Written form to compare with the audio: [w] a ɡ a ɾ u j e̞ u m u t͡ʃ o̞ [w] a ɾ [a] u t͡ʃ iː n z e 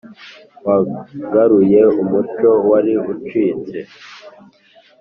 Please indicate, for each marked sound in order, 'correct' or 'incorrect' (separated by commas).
correct, correct, incorrect